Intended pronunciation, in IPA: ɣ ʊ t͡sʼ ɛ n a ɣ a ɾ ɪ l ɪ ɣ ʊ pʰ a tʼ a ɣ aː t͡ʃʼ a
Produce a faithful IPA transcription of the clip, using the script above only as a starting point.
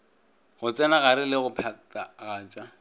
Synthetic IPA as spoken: ɣ ʊ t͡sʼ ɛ n a ɣ a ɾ ɪ l ɪ ɣ ʊ pʰ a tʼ a ɣ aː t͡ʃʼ a